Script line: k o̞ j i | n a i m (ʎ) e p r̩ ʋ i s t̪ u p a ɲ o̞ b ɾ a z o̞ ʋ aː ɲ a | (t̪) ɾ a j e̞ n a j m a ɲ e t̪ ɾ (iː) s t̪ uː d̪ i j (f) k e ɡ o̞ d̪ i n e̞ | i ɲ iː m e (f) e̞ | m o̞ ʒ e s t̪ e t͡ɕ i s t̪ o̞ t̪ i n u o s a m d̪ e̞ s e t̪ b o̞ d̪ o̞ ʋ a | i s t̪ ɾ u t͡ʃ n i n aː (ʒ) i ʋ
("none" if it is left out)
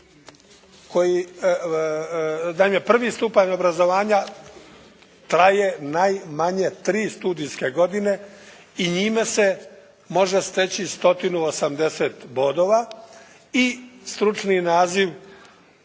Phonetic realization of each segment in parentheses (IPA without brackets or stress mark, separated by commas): j, t̪, iː, s, s, z